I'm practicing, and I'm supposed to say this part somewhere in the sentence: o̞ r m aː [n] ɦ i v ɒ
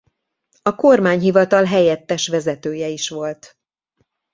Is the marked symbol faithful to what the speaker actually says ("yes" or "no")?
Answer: no